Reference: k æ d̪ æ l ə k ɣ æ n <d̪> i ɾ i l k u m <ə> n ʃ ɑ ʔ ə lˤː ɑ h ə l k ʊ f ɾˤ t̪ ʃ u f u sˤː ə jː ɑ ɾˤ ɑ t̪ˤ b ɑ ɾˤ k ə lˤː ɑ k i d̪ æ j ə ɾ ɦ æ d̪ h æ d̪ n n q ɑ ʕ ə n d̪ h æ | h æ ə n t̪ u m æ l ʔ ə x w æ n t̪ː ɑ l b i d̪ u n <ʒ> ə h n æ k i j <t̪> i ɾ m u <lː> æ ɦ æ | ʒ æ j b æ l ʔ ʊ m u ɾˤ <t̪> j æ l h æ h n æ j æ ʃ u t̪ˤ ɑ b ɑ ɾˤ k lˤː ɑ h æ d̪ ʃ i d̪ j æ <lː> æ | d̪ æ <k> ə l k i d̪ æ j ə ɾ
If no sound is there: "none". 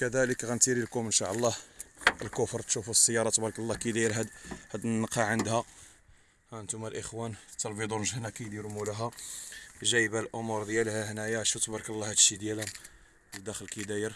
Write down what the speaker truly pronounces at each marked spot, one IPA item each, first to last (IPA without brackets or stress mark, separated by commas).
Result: t̪, ə, ʒ, d̪, l, d̪, l, x